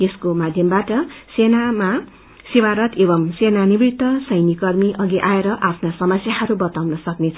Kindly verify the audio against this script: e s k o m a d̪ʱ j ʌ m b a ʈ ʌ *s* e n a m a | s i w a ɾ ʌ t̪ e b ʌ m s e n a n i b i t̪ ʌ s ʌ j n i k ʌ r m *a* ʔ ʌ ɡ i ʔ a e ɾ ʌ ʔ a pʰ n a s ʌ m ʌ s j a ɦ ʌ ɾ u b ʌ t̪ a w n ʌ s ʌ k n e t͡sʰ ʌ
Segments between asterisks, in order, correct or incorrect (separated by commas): correct, incorrect